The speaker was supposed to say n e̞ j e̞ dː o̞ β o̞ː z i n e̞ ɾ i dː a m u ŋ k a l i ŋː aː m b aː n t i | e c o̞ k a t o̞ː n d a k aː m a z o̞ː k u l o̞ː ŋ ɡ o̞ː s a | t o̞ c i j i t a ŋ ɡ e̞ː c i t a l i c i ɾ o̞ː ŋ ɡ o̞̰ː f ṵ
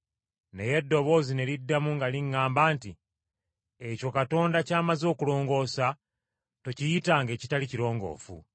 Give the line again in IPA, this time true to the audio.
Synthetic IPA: n e̞ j e̞ dː o̞ β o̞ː z i n e̞ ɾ i dː a m u ŋ ɡ a l i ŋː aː m b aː n t i | e c o̞ k a t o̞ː n d a c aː m a z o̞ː k u l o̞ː ŋ ɡ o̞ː s a | t o̞ c i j i t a ŋ ɡ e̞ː c i t a l i c i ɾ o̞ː ŋ ɡ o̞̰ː f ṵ